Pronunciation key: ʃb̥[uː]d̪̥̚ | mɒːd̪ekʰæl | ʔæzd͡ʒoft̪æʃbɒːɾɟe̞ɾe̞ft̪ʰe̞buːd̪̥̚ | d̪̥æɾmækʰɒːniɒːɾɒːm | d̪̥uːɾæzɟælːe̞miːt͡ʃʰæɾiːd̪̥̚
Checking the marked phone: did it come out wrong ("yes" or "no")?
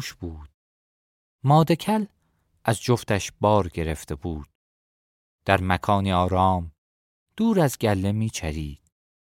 no